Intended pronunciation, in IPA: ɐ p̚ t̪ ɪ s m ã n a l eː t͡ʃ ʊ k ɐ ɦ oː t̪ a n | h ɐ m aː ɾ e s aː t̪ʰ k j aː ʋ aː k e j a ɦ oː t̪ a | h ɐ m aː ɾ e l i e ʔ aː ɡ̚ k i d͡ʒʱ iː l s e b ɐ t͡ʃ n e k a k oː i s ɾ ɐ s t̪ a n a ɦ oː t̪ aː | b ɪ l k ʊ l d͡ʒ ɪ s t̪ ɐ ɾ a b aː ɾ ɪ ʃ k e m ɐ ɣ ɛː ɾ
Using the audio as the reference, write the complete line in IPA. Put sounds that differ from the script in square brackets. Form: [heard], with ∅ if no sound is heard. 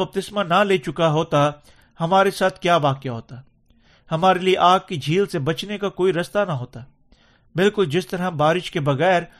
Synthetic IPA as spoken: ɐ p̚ t̪ ɪ s m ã n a l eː t͡ʃ ʊ k [a] ɦ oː t̪ a [∅] | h ɐ m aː ɾ e s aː t̪ʰ k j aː ʋ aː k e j a ɦ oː t̪ a | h ɐ m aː ɾ e l i e ʔ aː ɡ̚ k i d͡ʒʱ iː l s e b ɐ t͡ʃ n e k a k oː i [∅] ɾ ɐ s t̪ a n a ɦ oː t̪ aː | b ɪ l k ʊ l d͡ʒ ɪ s t̪ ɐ ɾ a b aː ɾ ɪ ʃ k e [b] ɐ ɣ ɛː ɾ